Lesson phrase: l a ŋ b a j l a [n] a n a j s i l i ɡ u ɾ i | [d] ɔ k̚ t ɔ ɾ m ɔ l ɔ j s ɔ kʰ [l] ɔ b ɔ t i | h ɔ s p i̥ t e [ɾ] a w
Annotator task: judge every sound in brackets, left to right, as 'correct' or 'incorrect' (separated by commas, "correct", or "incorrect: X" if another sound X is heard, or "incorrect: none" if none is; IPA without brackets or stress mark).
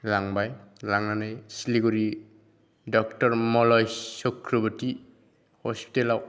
incorrect: ŋ, correct, incorrect: ɾ, incorrect: l